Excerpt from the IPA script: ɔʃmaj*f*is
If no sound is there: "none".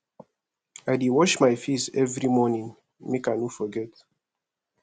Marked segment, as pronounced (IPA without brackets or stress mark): f